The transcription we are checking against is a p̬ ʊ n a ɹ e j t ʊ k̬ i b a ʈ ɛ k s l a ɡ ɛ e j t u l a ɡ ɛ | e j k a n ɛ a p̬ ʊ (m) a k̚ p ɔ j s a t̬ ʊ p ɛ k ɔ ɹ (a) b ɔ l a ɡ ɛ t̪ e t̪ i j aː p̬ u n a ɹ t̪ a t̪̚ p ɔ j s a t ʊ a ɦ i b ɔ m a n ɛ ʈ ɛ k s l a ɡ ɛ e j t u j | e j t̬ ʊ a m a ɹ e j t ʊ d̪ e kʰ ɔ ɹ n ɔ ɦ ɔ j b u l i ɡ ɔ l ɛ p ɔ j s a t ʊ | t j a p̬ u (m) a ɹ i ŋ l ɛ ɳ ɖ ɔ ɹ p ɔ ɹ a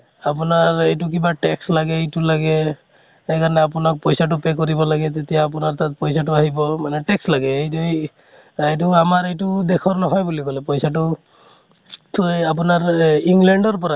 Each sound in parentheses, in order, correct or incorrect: incorrect, incorrect, incorrect

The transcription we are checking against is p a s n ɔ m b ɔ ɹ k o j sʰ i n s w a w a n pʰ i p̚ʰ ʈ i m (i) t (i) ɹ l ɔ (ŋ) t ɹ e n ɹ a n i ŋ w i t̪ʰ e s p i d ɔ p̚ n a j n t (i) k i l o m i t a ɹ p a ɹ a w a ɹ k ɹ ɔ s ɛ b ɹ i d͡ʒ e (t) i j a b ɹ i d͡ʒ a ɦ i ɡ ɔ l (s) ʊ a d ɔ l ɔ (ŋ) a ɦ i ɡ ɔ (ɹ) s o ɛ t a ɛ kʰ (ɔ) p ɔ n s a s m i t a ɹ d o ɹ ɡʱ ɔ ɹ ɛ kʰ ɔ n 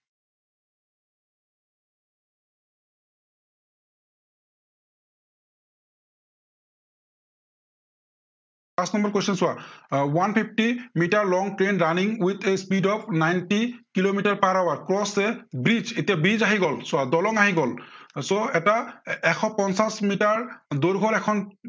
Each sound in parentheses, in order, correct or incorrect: correct, incorrect, correct, correct, correct, correct, correct, incorrect, correct

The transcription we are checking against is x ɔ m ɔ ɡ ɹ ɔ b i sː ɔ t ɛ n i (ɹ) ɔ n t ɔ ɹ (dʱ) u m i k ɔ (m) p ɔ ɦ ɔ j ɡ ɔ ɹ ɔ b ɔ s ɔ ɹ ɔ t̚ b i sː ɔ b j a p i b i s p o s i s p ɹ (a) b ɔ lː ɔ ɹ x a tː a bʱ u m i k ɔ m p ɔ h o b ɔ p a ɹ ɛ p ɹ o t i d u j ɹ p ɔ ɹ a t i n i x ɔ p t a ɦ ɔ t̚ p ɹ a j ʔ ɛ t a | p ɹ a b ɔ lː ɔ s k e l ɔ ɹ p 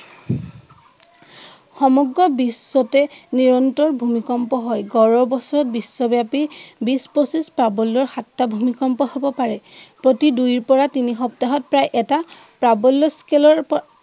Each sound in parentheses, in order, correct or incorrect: correct, incorrect, correct, correct

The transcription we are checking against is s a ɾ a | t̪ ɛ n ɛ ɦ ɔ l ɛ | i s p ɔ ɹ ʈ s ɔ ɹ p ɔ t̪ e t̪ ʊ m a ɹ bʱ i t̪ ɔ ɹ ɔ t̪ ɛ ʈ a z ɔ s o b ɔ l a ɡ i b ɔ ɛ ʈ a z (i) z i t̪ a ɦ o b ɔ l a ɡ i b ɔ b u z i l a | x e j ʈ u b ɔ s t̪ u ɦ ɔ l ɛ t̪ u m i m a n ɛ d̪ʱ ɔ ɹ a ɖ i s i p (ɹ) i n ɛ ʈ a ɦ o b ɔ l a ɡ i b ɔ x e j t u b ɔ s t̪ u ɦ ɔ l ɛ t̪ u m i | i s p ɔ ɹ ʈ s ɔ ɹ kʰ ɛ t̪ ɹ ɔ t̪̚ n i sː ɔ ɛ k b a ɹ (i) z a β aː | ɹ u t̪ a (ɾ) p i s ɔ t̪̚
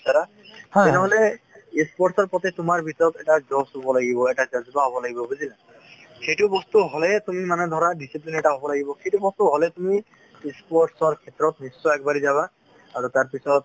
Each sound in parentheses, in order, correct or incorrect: incorrect, incorrect, correct, incorrect

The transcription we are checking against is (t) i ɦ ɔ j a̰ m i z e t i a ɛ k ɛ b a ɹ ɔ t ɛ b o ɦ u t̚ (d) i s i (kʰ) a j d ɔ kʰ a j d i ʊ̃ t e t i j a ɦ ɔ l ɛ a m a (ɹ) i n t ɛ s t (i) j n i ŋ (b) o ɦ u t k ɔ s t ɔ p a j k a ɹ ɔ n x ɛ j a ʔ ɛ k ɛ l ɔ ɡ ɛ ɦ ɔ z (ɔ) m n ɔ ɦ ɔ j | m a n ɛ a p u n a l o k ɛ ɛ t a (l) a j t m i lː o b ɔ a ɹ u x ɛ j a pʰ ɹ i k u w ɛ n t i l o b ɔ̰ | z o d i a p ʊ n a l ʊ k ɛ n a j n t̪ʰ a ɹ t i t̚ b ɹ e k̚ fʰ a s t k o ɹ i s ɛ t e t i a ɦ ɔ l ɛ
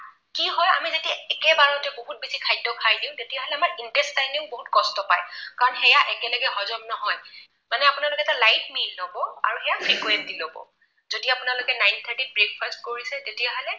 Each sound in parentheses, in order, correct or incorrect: incorrect, incorrect, correct, correct, incorrect, correct, correct, correct

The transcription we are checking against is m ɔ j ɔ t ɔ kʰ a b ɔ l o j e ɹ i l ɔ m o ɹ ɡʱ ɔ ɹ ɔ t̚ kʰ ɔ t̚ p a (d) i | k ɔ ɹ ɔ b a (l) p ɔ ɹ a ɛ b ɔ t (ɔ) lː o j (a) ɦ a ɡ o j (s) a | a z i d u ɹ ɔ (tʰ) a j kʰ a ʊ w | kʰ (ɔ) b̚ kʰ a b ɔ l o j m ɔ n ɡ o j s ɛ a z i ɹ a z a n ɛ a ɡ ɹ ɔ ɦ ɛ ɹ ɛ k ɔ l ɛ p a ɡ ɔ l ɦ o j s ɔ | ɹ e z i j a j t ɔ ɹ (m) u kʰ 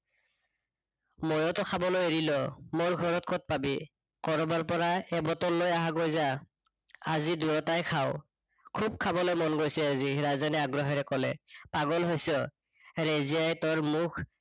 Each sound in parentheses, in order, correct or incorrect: incorrect, incorrect, correct, correct, incorrect, incorrect, incorrect, correct

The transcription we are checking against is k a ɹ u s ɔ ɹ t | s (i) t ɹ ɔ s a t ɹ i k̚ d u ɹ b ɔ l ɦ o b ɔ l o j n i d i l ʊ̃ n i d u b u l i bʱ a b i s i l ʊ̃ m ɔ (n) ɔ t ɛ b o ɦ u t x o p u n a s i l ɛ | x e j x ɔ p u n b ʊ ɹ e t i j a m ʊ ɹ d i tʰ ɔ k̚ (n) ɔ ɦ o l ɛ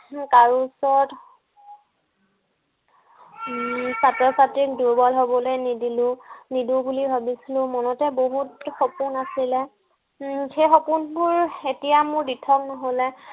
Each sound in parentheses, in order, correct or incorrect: incorrect, correct, correct

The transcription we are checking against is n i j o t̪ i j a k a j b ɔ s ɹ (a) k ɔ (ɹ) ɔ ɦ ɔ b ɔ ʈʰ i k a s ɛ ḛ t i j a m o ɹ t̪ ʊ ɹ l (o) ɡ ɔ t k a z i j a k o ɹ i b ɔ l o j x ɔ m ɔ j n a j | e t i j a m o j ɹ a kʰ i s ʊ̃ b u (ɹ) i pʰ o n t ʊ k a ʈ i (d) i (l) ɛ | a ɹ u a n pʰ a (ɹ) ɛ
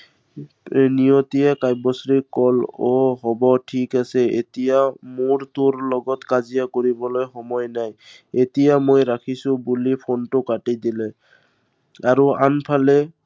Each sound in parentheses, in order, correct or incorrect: incorrect, incorrect, incorrect, incorrect, correct, correct, incorrect

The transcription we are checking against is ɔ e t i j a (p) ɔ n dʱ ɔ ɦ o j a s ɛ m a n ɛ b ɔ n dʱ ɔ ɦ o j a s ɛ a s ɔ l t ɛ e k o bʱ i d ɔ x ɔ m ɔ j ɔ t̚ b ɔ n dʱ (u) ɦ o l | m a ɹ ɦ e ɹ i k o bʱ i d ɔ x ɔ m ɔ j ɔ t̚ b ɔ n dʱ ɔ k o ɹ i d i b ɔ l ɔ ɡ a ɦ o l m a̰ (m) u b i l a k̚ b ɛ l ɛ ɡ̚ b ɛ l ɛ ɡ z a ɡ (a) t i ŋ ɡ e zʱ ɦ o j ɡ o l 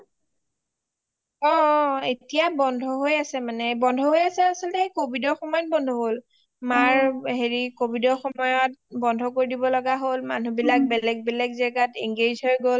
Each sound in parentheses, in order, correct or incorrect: incorrect, incorrect, incorrect, correct

